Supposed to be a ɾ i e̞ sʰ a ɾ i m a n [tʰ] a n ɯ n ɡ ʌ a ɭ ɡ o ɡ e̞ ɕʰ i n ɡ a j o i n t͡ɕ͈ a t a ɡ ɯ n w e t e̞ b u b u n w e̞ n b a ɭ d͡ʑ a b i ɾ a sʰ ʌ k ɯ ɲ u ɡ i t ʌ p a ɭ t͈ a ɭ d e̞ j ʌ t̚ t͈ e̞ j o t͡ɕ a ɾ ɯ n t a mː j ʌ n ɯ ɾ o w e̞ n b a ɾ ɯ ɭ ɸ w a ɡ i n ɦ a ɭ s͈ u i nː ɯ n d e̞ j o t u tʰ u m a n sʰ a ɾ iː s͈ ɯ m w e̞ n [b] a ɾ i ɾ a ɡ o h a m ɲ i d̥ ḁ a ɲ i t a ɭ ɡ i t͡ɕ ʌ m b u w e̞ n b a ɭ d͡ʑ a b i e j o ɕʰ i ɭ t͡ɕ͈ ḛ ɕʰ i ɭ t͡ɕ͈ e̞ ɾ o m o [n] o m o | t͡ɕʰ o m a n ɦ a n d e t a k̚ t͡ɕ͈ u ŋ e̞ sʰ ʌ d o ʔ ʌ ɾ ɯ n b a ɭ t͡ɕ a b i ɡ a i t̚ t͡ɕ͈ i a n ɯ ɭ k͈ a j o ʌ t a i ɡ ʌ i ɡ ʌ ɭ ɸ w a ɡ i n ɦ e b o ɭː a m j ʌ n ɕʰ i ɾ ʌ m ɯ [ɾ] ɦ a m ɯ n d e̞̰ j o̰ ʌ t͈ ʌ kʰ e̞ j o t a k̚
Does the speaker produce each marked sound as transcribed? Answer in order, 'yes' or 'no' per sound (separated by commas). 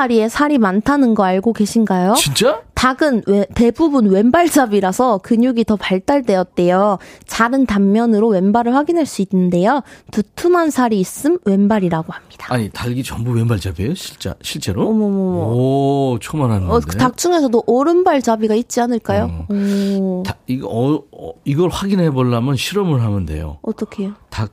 yes, yes, no, no